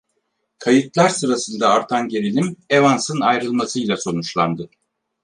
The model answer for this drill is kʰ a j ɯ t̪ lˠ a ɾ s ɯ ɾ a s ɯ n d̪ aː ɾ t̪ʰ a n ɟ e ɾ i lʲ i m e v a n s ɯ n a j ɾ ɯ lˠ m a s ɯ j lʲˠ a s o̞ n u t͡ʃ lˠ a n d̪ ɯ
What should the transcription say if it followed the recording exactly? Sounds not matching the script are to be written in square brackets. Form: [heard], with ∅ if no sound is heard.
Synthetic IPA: kʰ a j ɯ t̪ lˠ a ɾ s ɯ ɾ a s ɯ n d̪ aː ɾ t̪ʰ a n ɟ e ɾ i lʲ i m e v a n s ɯ n a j ɾ ɯ lˠ m a s ɯ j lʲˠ a s o̞ n u t͡ʃ lˠ a n d̪ ɯ